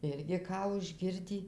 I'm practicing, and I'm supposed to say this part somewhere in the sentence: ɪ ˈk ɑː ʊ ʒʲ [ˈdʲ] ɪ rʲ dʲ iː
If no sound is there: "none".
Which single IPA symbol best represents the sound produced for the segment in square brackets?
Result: ɡʲ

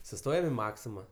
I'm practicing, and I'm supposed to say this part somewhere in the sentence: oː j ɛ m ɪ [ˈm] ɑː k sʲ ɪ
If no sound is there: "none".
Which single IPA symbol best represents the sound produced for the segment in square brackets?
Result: m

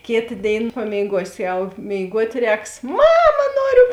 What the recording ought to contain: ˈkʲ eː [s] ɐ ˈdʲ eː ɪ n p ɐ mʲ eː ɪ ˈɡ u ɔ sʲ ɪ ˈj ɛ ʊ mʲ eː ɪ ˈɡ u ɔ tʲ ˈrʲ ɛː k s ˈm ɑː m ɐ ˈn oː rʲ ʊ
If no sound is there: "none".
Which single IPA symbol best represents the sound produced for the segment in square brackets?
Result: t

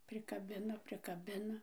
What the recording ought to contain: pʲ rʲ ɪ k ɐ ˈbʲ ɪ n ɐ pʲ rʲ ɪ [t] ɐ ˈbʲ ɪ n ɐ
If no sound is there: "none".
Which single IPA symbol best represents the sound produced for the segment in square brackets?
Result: k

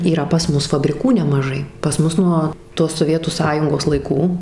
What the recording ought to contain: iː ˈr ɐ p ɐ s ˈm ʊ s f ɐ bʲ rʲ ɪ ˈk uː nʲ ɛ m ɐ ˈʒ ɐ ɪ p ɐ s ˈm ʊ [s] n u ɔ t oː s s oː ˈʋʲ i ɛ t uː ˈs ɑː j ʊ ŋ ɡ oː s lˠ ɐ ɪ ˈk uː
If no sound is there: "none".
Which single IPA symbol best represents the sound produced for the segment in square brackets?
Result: s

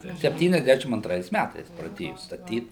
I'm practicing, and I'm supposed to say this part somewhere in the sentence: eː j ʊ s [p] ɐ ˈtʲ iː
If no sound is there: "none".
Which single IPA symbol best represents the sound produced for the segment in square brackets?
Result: t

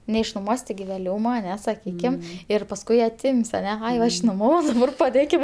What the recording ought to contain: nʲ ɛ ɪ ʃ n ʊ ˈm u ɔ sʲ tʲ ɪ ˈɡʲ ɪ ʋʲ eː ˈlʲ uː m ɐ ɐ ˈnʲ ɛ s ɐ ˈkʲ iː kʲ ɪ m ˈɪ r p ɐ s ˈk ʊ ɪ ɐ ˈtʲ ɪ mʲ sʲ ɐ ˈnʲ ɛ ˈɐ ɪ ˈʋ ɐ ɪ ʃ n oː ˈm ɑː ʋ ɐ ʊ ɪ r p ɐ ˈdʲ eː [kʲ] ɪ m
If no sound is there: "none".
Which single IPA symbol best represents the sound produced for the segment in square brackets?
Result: kʲ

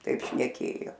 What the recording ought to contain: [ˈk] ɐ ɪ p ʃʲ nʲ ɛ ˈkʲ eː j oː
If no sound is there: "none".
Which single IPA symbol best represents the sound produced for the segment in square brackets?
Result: t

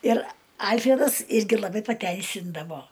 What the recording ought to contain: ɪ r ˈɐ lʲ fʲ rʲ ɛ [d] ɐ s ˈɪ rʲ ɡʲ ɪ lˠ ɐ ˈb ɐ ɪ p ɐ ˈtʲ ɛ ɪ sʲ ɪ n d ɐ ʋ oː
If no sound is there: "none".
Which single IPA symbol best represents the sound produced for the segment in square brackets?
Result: d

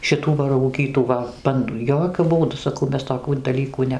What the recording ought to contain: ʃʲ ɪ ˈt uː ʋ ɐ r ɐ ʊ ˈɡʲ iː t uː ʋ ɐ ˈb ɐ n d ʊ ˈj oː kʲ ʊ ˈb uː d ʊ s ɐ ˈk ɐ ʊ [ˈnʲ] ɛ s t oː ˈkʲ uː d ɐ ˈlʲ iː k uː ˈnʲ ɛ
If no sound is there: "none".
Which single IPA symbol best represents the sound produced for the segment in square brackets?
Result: mʲ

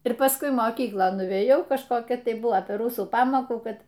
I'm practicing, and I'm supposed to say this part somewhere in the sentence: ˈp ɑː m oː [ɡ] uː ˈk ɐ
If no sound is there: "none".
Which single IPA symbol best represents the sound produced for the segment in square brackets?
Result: k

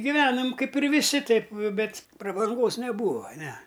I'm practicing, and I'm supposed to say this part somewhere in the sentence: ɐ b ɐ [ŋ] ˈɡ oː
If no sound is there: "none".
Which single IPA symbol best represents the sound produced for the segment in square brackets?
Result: ŋ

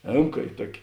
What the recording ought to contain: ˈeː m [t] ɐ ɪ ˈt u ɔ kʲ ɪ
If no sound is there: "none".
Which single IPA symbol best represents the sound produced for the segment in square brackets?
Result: k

